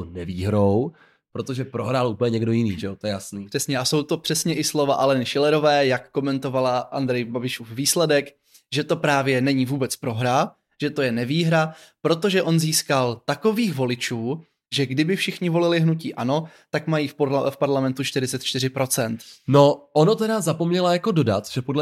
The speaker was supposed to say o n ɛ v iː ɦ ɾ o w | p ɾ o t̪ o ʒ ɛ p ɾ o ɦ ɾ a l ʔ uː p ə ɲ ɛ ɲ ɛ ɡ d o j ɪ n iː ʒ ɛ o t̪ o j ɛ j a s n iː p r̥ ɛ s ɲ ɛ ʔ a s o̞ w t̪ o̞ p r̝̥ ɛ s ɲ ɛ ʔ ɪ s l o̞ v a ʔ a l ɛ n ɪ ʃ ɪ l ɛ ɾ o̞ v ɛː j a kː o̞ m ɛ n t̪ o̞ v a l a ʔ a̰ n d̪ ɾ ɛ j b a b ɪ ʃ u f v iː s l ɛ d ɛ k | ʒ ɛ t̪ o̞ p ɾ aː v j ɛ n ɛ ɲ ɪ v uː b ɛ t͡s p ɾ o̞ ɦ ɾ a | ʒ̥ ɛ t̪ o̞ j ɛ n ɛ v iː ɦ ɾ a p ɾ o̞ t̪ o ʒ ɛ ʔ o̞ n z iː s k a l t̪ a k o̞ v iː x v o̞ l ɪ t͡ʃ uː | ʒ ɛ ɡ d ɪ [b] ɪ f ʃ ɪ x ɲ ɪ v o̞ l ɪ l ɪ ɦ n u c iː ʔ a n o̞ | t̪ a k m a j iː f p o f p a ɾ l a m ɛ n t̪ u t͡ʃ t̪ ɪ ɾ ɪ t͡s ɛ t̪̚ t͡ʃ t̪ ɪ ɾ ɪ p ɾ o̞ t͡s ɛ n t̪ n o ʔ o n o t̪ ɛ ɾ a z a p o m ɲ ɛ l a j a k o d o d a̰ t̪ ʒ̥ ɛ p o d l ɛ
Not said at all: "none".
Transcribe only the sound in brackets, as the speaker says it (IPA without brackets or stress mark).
b